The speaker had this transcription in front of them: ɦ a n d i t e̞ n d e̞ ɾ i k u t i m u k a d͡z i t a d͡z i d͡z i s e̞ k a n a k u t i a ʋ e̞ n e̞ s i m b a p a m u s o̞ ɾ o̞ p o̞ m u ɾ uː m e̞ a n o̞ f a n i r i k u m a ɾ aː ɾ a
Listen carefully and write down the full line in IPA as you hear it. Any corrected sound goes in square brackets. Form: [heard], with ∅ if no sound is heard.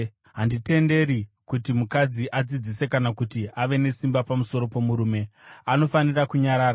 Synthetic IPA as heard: ɦ a n d i t e̞ n d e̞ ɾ i k u t i m u k a d͡z i [ʔ] a d͡z i d͡z i s e̞ k a n a k u t i a ʋ e̞ n e̞ s i m b a p a m u s o̞ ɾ o̞ p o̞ m u ɾ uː m e̞ a n o̞ f a n i r [a] k u [ɲ] a ɾ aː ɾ a

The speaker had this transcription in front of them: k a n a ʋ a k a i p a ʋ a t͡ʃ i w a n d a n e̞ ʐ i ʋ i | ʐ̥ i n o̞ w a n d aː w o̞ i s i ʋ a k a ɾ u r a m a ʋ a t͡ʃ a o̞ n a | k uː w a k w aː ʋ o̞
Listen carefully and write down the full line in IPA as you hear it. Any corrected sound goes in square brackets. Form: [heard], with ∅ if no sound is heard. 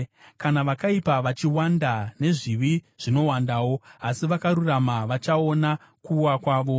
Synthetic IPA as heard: k a n a ʋ a k a i p a ʋ a t͡ʃ i w a n d a n e̞ ʐ i ʋ i | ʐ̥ i n o̞ w a n d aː w o̞ [a] s i ʋ a k a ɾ u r a m a ʋ a t͡ʃ a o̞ n a | k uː w a k w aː ʋ o̞

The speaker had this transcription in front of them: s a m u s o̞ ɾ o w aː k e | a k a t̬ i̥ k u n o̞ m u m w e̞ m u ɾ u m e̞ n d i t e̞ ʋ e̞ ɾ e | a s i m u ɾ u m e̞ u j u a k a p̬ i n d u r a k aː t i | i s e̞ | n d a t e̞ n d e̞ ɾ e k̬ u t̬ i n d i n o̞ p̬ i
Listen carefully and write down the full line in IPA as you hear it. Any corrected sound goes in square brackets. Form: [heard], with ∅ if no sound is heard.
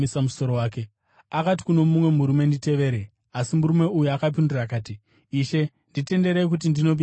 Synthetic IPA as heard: s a m u s o̞ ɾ o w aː k e | a k a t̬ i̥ k u n o̞ m u m w e̞ m u ɾ u m e̞ n d i t e̞ ʋ e̞ ɾ e | a s i m u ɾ u m e̞ u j u a k a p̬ i n d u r a k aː t i | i [ʃ] e̞ | n d [i] t e̞ n d e̞ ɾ e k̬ u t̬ i n d i n o̞ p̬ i

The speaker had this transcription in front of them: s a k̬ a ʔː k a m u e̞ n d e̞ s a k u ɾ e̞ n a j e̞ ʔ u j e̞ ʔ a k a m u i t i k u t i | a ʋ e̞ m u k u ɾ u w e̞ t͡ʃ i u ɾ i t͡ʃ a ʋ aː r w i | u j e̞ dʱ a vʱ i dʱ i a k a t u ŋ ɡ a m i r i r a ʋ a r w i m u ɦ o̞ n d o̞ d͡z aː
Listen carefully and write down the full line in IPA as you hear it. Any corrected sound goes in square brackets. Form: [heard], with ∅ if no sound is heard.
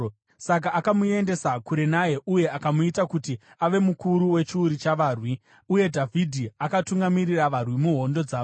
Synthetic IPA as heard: s a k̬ a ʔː k a m u e̞ n d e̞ s a k u ɾ e̞ n a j e̞ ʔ u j e̞ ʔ a k a m u i t [a] k u t i | a ʋ e̞ m u k u ɾ u w e̞ t͡ʃ i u ɾ i t͡ʃ a ʋ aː r w i | u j e̞ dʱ a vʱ i dʱ i a k a t u ŋ ɡ a m i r i r a ʋ a r w i m u ɦ o̞ n d o̞ d͡z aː

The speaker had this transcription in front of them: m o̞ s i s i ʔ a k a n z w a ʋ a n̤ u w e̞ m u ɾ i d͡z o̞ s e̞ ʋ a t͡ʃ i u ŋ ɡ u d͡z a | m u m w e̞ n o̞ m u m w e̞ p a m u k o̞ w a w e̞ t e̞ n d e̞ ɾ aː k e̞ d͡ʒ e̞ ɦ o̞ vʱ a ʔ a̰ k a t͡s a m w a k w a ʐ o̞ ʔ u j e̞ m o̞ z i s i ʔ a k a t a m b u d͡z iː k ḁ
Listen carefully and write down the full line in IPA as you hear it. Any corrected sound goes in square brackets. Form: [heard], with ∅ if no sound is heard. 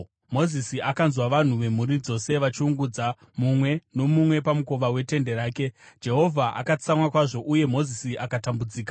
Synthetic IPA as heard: m o̞ [z] i s i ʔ a k a n z w a ʋ a n̤ u [ʋ] e̞ m u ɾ i d͡z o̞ s e̞ ʋ a t͡ʃ i u ŋ ɡ u d͡z a | m u m w e̞ n o̞ m u m w e̞ p a m u k o̞ [ʋ] a w e̞ t e̞ n d e̞ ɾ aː k e̞ d͡ʒ e̞ ɦ o̞ vʱ a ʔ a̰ k a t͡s a m w a k w a ʐ o̞ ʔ u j e̞ m o̞ z i s i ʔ a k a t a m b u d͡z iː k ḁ

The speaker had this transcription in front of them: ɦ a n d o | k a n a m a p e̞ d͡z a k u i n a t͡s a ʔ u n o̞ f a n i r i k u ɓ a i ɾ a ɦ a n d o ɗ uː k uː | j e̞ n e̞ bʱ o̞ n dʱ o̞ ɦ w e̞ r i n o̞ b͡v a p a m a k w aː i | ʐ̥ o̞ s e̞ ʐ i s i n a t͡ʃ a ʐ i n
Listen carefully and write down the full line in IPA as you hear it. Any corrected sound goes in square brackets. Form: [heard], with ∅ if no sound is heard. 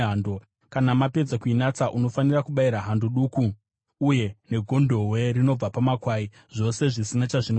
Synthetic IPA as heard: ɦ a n d o | k a n a m a p e̞ d͡z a k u i n a t͡s a ʔ u n o̞ f a n i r [a] k u ɓ a i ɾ a ɦ a n d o ɗ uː k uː | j e̞ n e̞ [ɡʱ] o̞ n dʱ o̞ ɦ w e̞ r i n o̞ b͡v a p a m a k w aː i | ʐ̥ o̞ s e̞ ʐ i s i n a t͡ʃ a ʐ i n

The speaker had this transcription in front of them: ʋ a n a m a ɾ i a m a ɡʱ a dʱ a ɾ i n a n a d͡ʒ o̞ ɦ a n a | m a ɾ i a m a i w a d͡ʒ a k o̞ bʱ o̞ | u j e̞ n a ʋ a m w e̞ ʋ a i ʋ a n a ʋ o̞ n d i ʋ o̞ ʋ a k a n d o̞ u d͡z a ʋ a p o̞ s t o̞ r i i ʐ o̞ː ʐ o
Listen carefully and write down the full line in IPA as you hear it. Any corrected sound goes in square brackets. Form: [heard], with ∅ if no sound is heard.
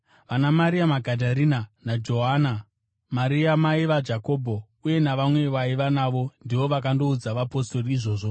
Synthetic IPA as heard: ʋ a n a m a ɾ i a m a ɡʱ a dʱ a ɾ i n a n a d͡ʒ o̞ ɦ a n a | m a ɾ i a m a i [ʋ] a d͡ʒ a k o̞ bʱ o̞ | u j e̞ n a ʋ a m w e̞ ʋ a i ʋ a n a ʋ o̞ n d i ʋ o̞ ʋ a k a n d o̞ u d͡z a ʋ a p o̞ s t o̞ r i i ʐ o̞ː ʐ o

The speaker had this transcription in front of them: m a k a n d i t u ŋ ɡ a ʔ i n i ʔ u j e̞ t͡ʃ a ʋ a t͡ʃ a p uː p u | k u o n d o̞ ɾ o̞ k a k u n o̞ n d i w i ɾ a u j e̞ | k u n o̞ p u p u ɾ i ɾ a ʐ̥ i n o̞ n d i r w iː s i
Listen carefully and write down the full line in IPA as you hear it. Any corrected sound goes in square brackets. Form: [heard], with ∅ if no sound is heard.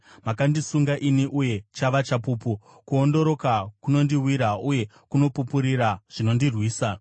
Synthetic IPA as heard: m a k a n d i [s] u ŋ ɡ a ʔ i n i ʔ u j e̞ t͡ʃ a ʋ a t͡ʃ a p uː p u | k u o n d o̞ ɾ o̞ k a k u n o̞ n d i w i ɾ a u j e̞ | k u n o̞ p u p u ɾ i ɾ a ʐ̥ i n o̞ n d i r w iː s [a]

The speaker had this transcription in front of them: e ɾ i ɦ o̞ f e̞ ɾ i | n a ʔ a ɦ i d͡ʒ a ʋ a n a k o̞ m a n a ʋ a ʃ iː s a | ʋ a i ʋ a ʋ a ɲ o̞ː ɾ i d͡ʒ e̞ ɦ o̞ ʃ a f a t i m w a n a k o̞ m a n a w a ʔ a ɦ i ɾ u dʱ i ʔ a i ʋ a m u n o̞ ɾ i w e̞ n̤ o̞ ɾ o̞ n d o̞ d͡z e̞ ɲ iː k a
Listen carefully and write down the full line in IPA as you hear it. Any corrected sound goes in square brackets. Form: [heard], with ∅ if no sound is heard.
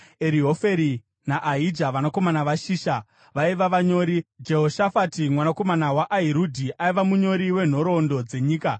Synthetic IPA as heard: e ɾ i ɦ o̞ f e̞ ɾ i | n a ʔ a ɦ i d͡ʒ a ʋ a n a k o̞ m a n a ʋ a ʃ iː [ʃ] a | ʋ a i ʋ a ʋ a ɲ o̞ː ɾ i d͡ʒ e̞ ɦ o̞ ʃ a f a t i m w a n a k o̞ m a n a w a ʔ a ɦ i ɾ u dʱ i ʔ a i ʋ a m u [ɲ] o̞ ɾ i w e̞ n̤ o̞ ɾ o̞ n d o̞ d͡z e̞ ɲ iː k a

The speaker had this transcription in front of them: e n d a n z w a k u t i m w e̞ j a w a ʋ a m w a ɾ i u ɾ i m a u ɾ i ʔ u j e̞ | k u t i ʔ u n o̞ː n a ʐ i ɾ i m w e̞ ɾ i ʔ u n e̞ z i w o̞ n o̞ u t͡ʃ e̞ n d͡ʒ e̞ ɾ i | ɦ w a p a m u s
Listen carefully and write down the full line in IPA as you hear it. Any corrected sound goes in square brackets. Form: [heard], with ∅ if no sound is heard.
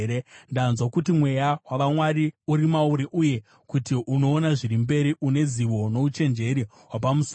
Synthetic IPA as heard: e n d a n z w a k u t i m w e̞ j a w a ʋ a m w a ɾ i u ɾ i m a u ɾ i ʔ u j e̞ | k u t i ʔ u n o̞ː n a ʐ i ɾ i m [b] e̞ ɾ i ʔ u n e̞ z i [ʋ] o̞ n o̞ u t͡ʃ e̞ n d͡ʒ e̞ ɾ i | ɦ w a p a m u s

